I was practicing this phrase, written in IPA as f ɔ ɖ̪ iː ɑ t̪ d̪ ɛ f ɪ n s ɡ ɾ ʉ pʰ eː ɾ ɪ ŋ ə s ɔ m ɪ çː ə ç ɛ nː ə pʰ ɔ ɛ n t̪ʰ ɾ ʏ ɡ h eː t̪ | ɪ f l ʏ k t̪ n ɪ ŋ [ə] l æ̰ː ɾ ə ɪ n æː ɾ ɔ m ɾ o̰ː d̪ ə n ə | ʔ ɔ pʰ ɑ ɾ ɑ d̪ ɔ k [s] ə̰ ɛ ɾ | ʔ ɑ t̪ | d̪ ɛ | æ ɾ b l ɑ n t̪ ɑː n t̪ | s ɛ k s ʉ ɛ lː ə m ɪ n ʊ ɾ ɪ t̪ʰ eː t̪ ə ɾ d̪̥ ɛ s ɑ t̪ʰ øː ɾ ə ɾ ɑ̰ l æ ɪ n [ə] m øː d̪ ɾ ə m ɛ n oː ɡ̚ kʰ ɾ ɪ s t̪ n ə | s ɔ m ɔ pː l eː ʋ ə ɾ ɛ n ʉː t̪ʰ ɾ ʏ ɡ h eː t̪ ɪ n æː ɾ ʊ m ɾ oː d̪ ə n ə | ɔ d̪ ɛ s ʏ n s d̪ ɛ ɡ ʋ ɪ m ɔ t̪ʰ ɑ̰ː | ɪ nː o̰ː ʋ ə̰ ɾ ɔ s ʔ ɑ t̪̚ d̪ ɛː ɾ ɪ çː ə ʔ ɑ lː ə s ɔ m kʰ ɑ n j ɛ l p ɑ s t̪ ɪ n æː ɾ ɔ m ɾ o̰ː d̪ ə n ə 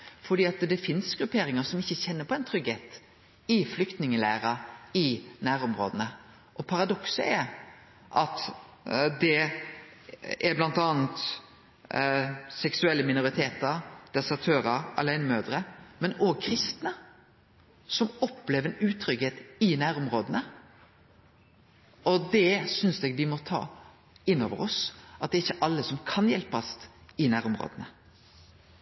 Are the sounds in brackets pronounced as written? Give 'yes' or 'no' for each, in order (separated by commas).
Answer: yes, yes, yes